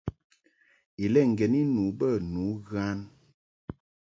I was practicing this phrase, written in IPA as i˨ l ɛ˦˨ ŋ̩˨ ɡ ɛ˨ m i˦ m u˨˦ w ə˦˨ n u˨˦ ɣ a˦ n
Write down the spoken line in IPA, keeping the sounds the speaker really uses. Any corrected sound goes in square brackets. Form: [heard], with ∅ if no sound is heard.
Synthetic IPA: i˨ l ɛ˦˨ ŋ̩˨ ɡ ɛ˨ [n] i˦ [n] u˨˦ [b] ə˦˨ n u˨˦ ɣ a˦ n